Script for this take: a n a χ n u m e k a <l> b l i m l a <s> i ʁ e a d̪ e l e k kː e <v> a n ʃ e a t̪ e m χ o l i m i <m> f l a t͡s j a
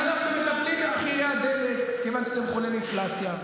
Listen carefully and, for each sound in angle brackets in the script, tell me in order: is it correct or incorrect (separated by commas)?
incorrect, incorrect, correct, incorrect